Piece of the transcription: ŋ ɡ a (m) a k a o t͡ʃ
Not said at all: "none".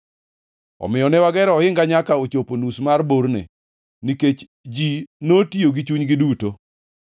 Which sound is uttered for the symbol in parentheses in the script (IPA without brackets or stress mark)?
ɲ